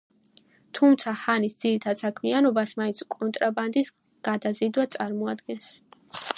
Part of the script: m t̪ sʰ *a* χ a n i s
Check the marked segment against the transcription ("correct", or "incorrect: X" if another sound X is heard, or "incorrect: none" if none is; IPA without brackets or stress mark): correct